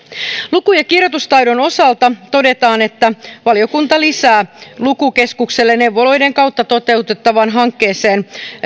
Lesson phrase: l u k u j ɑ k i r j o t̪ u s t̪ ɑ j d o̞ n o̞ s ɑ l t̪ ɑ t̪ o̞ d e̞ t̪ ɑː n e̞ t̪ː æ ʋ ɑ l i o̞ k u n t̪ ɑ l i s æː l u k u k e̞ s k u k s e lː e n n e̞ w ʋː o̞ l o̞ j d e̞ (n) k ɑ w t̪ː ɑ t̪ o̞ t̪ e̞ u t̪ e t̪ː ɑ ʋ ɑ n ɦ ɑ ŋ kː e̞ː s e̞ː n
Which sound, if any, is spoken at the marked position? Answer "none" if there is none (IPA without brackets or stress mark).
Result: ŋ